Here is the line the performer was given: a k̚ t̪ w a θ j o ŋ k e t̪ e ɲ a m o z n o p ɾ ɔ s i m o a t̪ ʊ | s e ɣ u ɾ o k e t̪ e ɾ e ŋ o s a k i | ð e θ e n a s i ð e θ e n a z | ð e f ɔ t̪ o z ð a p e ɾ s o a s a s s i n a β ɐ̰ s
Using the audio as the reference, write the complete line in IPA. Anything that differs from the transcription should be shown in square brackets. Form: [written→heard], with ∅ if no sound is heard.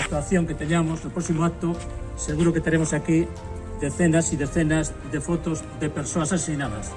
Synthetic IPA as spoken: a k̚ t̪ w a θ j o ŋ k e t̪ e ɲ a m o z n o p ɾ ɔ s i m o a t̪ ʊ | s e ɣ u ɾ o k e t̪ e ɾ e [ŋ→m] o s a k i | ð e θ e n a s i ð e θ e n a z | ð e f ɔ t̪ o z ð [a→e] p e ɾ s o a s a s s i n a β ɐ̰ s